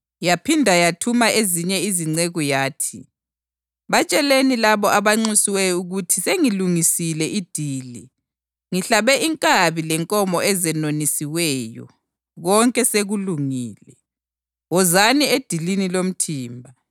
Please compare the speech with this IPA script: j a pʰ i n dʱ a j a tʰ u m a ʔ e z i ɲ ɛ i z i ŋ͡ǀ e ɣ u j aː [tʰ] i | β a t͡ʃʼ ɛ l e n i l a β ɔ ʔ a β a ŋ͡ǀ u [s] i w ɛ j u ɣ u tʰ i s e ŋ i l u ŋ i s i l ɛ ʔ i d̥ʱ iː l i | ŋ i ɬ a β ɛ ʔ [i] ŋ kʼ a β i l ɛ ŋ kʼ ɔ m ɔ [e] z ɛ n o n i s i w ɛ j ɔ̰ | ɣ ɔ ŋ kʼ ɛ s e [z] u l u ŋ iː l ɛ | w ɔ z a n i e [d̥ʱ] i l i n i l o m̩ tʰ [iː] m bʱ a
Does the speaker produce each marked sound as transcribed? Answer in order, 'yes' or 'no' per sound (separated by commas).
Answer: yes, yes, yes, no, no, yes, yes